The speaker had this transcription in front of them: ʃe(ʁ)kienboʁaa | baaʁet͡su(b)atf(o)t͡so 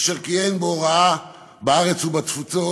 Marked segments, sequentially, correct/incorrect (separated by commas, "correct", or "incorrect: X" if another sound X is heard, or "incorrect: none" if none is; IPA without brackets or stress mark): correct, correct, incorrect: u